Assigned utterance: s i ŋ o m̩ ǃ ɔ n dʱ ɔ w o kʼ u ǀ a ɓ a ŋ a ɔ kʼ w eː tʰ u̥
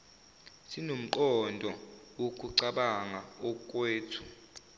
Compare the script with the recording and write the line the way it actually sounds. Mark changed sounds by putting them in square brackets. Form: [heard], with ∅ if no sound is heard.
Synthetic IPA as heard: s i [n] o m̩ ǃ ɔ n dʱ ɔ w o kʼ u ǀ a ɓ a ŋ a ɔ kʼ w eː tʰ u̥